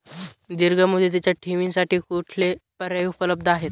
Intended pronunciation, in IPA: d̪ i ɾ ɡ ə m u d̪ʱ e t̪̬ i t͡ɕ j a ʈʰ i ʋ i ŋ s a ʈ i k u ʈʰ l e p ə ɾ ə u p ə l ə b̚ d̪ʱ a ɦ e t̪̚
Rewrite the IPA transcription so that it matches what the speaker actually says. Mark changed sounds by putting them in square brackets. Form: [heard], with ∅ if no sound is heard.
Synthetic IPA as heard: d̪ i ɾ ɡ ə m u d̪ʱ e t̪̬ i t͡ɕ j a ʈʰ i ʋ i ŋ s a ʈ [iː] k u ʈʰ l e p ə ɾ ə u p ə l ə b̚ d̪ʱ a ɦ e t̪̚